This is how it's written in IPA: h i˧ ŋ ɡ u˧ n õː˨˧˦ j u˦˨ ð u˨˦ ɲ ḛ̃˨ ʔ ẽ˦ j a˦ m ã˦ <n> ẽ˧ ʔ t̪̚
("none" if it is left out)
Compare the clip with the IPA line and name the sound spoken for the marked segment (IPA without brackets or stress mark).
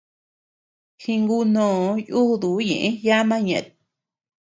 ɲ